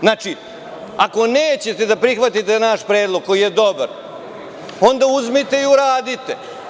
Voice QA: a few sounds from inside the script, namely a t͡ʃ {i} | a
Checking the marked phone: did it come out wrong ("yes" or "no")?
no